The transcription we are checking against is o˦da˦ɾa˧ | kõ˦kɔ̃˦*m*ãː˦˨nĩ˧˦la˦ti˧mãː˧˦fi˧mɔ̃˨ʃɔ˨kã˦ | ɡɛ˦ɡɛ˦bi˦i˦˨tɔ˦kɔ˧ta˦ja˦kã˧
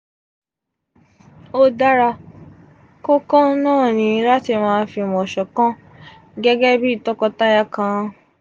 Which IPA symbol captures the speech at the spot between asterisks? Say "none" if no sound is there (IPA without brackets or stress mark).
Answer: n